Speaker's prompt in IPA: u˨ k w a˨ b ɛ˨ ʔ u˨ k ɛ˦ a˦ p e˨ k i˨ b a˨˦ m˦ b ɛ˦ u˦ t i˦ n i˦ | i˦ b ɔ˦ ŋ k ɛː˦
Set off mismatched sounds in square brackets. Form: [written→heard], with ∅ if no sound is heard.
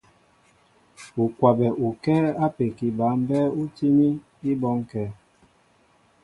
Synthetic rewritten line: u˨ k w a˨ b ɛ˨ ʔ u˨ k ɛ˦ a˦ p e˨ k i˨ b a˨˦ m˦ b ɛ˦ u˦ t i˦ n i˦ | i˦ b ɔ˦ ŋ k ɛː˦